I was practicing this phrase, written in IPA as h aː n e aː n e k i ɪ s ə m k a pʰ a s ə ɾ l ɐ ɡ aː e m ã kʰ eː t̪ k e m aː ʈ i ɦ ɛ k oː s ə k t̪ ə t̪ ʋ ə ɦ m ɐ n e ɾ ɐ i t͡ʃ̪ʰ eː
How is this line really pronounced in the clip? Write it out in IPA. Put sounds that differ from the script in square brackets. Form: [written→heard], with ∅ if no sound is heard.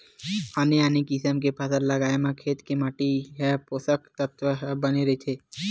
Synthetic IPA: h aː n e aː n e k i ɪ s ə m k [a→e] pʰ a s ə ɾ l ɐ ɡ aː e m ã kʰ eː t̪ k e m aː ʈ i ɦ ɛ [k→p] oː s ə k t̪ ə t̪ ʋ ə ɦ [m→b] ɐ n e ɾ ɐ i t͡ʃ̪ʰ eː